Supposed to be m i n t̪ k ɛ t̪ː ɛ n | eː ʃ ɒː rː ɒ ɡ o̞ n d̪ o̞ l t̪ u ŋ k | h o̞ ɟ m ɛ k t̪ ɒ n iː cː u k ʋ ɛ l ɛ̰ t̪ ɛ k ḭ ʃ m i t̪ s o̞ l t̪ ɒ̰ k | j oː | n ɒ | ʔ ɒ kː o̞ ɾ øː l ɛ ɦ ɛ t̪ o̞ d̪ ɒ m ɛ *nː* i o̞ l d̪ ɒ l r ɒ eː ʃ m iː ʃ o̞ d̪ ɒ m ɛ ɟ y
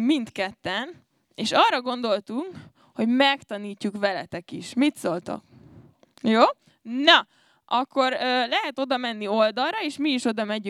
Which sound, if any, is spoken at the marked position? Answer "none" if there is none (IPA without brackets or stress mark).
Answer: nː